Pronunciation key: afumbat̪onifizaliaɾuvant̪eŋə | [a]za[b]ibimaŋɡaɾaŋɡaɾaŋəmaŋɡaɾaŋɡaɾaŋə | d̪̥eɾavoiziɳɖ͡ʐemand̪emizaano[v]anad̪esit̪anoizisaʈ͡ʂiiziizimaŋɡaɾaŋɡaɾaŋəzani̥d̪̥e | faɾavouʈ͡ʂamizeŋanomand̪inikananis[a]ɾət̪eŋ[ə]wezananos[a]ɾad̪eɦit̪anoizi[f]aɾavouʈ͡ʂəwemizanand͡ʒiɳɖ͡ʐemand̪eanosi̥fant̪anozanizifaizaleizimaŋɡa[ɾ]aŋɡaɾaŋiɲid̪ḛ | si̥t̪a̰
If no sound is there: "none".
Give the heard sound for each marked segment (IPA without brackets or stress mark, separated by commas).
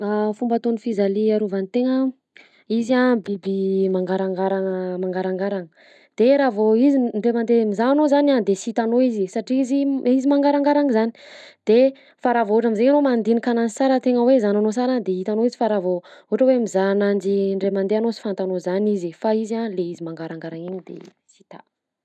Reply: i, b, z, a, ə, a, f, ɾ